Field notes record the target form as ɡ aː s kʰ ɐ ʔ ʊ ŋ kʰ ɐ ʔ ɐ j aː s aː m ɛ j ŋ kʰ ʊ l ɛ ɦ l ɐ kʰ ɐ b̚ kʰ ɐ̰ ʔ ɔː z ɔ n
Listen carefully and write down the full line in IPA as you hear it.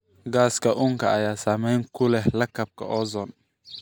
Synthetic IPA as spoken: ɡ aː s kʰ ɐ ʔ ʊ ŋ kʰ ɐ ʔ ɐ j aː s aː m ɛ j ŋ kʰ ʊ l ɛ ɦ l ɐ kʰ ɐ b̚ kʰ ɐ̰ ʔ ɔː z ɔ n